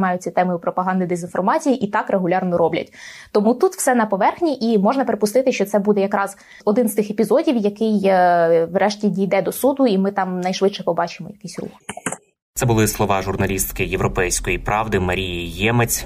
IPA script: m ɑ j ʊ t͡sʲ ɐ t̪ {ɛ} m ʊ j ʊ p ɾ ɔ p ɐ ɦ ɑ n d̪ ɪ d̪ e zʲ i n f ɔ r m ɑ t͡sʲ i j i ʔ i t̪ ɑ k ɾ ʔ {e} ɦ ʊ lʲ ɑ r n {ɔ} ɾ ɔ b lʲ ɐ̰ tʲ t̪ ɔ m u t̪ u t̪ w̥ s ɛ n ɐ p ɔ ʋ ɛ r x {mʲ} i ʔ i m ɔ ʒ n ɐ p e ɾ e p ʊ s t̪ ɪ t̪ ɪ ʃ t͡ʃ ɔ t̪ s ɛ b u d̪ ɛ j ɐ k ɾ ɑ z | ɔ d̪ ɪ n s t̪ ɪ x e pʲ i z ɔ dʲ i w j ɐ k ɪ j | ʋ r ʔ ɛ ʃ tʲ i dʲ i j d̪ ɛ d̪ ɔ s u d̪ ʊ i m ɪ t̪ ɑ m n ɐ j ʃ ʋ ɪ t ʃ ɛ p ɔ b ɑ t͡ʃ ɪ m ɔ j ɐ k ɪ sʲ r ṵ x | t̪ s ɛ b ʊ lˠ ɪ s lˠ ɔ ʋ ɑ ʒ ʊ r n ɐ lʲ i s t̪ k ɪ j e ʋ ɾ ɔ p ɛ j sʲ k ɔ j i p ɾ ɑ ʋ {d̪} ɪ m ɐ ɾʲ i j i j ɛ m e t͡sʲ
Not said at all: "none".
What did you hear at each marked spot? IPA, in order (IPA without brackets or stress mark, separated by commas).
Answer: ɛ, e, ɔ, nʲ, d̪